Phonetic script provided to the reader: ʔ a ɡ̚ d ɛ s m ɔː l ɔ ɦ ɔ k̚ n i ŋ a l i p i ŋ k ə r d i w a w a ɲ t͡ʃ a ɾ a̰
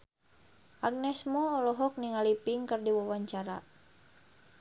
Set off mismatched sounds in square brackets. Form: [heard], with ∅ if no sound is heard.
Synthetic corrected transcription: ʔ a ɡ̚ [n] ɛ s m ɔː l ɔ ɦ ɔ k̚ n i ŋ a l i p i ŋ k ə r d i w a w a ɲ t͡ʃ a ɾ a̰